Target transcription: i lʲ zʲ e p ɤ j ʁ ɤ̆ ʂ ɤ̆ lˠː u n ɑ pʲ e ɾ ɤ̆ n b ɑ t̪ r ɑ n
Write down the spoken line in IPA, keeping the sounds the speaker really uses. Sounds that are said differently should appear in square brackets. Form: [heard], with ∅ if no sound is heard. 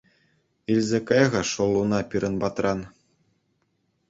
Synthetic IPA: i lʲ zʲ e [k] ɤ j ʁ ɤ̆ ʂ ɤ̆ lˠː u n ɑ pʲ [i] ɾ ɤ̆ n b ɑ t̪ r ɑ n